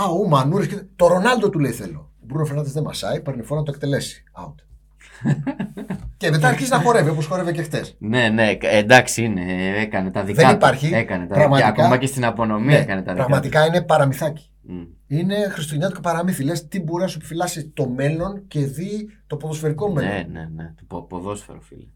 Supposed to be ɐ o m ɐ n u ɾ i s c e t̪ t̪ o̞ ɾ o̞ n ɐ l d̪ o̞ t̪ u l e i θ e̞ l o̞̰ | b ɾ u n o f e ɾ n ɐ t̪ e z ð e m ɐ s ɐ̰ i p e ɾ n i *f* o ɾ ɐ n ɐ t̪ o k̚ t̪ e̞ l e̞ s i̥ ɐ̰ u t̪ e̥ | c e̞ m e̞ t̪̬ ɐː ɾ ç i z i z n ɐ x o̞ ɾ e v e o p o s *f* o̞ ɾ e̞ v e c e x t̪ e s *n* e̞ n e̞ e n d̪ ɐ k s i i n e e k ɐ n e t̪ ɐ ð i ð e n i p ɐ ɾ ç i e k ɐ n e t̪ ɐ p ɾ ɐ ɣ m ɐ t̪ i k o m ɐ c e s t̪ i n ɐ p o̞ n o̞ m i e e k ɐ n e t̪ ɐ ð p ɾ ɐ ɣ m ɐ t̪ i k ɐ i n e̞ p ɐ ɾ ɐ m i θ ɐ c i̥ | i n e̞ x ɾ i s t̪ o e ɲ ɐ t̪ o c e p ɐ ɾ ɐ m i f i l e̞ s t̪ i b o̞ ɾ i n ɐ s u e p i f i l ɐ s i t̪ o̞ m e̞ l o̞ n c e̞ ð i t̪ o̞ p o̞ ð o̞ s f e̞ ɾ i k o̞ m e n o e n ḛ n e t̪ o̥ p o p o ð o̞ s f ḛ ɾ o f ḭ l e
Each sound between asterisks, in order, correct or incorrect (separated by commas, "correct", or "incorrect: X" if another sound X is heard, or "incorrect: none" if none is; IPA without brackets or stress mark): correct, incorrect: x, correct